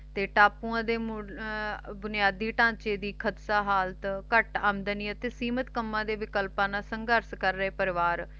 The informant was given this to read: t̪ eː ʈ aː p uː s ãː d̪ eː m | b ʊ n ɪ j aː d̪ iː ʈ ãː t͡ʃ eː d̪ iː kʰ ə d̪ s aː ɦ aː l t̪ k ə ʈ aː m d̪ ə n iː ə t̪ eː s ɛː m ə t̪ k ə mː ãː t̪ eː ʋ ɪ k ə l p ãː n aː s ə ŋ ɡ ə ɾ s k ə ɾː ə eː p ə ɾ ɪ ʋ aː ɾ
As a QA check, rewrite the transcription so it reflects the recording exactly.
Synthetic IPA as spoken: t̪ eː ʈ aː p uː ãː d̪ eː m | b ʊ n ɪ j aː d̪ iː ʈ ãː t͡ʃ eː d̪ iː kʰ ə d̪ s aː ɦ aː l t̪ k ə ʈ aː m d̪ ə n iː ə t̪ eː s iː m ə t̪ k ə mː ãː d̪ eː ʋ ɪ k ə l p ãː n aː s ə ŋ ɡ ə ɾ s k ə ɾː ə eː p ə ɾ ɪ ʋ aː ɾ